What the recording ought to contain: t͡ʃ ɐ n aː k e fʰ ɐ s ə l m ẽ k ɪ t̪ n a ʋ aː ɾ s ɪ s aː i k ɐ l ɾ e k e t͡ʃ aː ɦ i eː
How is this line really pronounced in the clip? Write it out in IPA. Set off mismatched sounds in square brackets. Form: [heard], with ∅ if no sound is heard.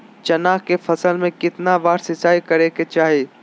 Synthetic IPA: t͡ʃ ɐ n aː k e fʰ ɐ s ə l m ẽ k ɪ t̪ n a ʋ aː ɾ s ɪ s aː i k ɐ [∅] ɾ e k e t͡ʃ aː ɦ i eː